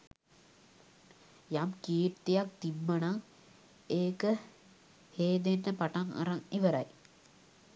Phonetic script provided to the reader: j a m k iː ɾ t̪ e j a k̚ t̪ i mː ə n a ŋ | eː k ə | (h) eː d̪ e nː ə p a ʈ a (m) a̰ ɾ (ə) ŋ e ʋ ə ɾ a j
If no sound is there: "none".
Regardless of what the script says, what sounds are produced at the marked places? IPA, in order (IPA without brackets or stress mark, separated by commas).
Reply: h, ŋ, a